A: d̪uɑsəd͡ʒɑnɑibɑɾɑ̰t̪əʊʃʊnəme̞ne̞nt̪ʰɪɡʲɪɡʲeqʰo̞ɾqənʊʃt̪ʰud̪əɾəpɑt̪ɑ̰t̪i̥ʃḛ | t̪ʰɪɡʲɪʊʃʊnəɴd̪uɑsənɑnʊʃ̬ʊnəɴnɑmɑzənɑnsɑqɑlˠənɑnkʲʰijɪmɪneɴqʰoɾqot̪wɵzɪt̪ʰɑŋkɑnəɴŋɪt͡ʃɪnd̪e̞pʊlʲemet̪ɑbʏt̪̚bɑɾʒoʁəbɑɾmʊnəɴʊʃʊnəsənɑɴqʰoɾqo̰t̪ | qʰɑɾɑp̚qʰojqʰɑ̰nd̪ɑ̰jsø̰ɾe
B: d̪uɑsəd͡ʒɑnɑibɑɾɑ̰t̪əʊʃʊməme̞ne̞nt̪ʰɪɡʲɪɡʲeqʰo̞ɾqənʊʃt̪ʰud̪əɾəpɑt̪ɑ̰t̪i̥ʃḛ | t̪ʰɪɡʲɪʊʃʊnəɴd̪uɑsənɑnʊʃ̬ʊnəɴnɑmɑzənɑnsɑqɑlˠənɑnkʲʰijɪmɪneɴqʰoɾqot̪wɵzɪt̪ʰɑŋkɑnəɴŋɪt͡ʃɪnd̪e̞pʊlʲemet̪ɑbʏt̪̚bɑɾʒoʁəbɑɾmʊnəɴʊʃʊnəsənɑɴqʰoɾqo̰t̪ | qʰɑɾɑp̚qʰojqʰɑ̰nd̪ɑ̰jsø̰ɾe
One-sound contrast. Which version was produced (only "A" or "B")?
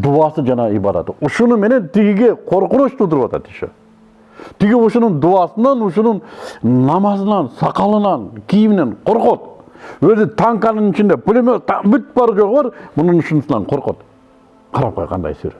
A